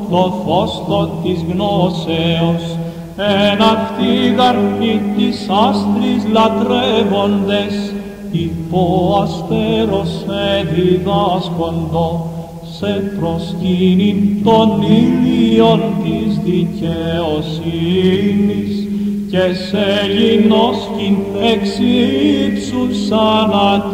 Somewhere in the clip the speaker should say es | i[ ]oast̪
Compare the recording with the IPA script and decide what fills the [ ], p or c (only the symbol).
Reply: p